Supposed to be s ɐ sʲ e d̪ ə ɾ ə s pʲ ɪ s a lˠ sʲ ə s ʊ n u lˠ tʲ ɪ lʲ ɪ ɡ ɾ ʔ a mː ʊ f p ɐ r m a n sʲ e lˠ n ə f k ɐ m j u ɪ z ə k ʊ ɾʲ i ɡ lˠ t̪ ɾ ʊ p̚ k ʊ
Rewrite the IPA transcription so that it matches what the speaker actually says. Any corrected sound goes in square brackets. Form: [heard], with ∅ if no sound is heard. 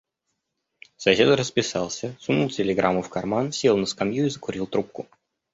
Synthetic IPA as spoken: s ɐ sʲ e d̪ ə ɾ ə s pʲ ɪ s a lˠ sʲ ə s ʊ n u lˠ tʲ ɪ lʲ ɪ ɡ ɾ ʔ a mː ʊ f [k] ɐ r m a n sʲ e lˠ n ə [s] k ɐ m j u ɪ z ə k ʊ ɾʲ i [∅] lˠ t̪ ɾ [u] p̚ k ʊ